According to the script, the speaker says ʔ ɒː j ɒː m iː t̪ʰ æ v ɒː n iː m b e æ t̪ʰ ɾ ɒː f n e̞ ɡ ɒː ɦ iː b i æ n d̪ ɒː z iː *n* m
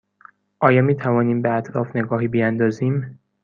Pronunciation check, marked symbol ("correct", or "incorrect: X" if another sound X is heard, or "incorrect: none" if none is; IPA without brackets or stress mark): incorrect: none